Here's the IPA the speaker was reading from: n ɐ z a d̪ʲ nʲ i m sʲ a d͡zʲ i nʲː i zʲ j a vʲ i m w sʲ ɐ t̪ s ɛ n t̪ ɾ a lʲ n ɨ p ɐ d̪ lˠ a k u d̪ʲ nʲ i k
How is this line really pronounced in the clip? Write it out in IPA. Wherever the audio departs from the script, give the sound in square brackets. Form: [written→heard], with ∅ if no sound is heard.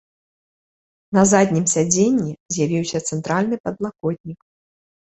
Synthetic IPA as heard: n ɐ z a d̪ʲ nʲ i m sʲ a d͡zʲ [i→e] nʲː i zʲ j a vʲ i [m→∅] w sʲ ɐ t̪ s ɛ n t̪ ɾ a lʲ n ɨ p ɐ d̪ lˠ a k [u→ɔ] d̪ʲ nʲ i k